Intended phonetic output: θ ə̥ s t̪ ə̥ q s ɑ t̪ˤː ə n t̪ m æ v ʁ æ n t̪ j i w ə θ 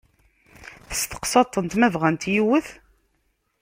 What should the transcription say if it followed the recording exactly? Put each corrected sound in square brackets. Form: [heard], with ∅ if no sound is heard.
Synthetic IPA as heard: θ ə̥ s t̪ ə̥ q s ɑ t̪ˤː ə n t̪ m æ v ʁ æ n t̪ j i w ə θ